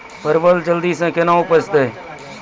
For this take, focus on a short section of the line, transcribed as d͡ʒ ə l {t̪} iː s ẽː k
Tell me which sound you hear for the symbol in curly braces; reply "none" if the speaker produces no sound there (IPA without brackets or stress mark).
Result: d̪